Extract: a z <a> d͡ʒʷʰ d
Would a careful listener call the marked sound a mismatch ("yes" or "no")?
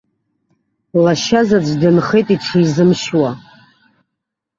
no